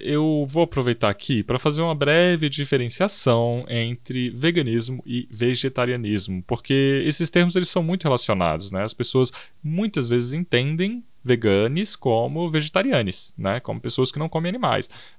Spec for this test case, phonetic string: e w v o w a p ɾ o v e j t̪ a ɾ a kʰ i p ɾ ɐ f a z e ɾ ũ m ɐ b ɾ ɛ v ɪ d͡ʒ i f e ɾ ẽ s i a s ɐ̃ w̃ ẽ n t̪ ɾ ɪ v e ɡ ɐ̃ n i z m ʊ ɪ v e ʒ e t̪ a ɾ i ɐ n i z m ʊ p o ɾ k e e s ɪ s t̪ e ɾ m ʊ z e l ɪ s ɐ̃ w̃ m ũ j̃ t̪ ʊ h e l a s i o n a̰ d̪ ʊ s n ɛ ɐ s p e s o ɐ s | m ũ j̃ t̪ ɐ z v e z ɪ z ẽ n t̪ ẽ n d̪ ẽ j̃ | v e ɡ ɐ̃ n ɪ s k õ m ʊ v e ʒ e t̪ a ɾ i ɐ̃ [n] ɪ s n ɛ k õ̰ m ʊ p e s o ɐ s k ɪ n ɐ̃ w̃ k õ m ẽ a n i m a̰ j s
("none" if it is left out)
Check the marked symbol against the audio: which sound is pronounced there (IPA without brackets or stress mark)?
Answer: n